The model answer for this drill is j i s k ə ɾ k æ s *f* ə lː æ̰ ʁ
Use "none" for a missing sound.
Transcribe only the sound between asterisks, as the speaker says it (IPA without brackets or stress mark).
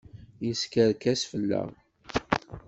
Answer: f